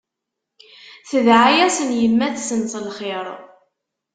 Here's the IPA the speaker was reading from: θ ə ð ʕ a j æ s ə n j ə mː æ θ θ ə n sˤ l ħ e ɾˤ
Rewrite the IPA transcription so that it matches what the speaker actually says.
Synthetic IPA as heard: θ ə ð ʕ a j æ s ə n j ə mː æ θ s ə n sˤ l χ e ɾˤ